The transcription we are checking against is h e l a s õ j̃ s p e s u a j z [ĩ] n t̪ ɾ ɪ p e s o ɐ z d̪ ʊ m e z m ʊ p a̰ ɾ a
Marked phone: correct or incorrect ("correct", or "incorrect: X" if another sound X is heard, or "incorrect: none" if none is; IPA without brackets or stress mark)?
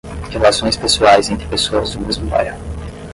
incorrect: ẽ